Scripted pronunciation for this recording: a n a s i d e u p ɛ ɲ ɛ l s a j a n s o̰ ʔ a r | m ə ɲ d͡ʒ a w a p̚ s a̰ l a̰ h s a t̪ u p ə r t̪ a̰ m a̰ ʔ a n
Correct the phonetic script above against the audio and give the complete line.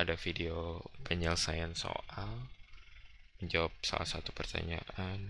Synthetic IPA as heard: a d a f i d e o p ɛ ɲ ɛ l s a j a n s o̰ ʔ a l | m ə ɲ d͡ʒ a w a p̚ s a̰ l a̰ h s a t̪ u p ə r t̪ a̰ ɲ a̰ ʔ a n